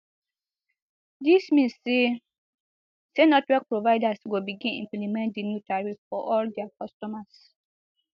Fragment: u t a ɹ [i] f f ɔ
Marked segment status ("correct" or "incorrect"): correct